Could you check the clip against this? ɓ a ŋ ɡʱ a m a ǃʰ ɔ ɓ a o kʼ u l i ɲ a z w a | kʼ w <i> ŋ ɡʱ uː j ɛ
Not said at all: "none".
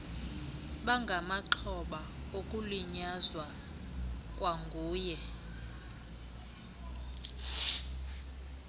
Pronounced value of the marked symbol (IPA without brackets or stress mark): a